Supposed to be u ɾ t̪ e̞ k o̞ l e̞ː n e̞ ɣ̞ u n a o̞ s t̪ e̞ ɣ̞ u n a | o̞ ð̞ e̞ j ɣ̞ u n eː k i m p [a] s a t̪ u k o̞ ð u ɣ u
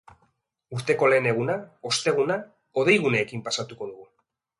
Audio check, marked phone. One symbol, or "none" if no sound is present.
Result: a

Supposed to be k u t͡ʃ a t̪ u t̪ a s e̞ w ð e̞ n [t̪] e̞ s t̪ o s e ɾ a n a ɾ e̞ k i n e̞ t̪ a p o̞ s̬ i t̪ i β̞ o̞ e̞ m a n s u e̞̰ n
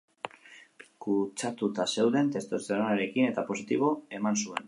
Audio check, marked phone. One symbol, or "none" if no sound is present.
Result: t̪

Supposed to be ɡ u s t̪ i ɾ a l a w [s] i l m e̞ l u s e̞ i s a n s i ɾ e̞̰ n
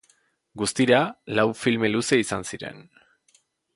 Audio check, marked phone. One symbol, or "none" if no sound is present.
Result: f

